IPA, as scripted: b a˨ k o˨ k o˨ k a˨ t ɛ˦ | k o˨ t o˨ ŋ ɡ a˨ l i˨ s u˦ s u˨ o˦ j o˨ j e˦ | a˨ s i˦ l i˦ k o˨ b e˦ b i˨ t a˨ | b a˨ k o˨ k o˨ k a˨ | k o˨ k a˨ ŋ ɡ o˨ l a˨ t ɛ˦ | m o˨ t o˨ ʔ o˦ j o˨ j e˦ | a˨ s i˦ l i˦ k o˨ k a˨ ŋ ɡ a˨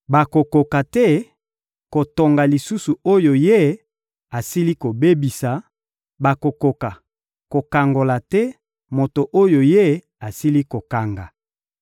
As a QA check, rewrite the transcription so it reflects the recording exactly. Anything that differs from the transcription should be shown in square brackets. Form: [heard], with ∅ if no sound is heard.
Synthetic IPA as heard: b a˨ k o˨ k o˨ k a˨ t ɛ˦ | k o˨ t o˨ ŋ ɡ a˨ l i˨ s u˦ s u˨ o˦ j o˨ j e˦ | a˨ s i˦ l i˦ k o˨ b e˦ b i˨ [s] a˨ | b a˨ k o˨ k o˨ k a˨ | k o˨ k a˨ ŋ ɡ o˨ l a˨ t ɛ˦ | m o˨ t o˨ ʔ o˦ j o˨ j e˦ | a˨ s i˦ l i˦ k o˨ k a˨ ŋ ɡ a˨